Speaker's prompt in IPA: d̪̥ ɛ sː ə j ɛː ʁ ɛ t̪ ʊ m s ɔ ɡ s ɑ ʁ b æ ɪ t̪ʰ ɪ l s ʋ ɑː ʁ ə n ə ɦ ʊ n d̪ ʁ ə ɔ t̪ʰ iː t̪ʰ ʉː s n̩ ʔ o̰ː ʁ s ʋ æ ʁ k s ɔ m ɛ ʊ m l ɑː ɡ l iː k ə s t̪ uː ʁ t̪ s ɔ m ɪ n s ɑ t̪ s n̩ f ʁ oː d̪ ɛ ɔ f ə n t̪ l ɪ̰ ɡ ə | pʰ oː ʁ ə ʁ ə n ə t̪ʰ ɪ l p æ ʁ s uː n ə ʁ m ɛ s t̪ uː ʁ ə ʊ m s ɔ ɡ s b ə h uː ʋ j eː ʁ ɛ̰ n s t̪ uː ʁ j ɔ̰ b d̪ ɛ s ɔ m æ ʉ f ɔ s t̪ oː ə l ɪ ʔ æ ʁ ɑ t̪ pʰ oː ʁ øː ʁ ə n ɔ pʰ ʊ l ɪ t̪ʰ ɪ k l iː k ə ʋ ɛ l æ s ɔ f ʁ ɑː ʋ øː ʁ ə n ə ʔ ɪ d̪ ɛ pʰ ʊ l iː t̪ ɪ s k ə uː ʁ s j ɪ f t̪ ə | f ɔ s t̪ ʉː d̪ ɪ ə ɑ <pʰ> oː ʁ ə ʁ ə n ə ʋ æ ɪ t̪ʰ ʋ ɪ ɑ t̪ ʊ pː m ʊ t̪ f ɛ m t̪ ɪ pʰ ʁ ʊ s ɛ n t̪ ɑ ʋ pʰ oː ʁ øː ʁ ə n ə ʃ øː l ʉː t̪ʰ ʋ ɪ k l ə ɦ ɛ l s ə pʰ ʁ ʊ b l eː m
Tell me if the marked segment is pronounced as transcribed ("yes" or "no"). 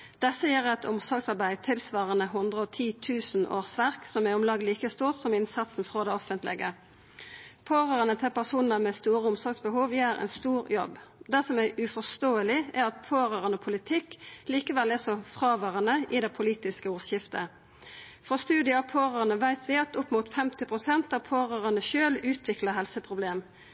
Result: yes